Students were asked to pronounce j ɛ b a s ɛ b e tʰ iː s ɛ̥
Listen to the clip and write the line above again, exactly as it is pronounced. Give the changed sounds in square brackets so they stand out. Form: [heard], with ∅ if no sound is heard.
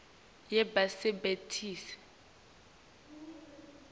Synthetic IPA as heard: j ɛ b a s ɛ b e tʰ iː s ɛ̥